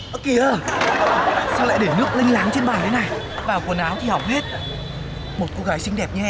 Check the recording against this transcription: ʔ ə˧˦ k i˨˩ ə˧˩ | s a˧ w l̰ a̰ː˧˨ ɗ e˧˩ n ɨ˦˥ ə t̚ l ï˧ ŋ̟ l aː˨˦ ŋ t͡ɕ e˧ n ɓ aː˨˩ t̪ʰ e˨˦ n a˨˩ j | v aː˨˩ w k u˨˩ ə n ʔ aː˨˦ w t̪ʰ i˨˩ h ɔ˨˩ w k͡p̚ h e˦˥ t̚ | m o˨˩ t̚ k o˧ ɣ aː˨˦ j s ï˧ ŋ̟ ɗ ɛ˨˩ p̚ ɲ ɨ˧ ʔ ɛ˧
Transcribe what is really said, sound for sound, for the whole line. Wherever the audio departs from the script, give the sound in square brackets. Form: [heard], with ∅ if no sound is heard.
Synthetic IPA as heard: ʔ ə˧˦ k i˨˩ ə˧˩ | s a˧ w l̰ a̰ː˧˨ ɗ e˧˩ n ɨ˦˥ ə [k̚] l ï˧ ŋ̟ l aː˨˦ ŋ t͡ɕ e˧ n ɓ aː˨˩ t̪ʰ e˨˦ n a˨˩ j | v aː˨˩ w k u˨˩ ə n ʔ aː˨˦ w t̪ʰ i˨˩ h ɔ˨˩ w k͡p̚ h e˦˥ t̚ | m o˨˩ t̚ k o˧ ɣ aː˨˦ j s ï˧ ŋ̟ ɗ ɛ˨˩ p̚ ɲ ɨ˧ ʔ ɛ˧